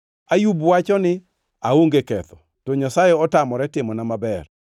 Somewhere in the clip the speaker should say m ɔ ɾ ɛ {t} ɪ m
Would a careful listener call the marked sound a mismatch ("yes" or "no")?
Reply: no